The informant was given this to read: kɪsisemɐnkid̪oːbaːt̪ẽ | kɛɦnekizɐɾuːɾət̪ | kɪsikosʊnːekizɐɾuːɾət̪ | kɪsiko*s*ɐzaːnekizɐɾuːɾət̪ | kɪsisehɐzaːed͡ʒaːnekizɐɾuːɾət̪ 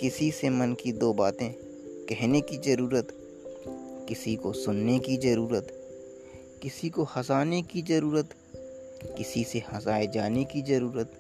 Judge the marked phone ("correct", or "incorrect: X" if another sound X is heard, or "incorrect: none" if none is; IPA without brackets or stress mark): incorrect: h